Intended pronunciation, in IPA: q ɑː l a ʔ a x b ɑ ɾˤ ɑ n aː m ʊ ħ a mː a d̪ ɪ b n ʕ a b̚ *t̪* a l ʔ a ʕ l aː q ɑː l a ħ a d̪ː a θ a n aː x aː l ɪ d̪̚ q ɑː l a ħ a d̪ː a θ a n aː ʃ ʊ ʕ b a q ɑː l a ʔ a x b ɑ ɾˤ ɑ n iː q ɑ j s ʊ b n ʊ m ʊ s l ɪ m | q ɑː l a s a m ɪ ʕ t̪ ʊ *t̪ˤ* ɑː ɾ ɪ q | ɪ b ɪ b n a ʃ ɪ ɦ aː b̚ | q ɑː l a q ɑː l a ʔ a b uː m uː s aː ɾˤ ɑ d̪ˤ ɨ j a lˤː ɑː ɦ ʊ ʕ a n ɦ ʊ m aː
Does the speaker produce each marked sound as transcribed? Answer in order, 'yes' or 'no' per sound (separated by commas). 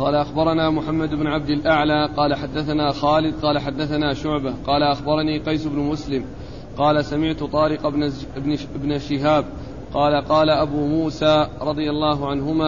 no, yes